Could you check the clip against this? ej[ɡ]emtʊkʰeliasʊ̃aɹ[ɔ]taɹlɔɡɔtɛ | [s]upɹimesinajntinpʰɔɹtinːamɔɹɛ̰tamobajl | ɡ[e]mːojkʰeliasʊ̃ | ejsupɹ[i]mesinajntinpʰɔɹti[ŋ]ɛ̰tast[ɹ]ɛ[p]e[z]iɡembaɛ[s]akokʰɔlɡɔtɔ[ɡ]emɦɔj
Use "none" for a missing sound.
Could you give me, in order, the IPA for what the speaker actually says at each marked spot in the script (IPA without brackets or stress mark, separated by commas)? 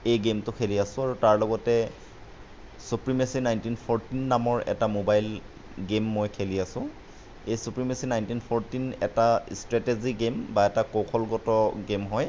ɡ, u, s, e, i, n, ɹ, t, z, t, ɡ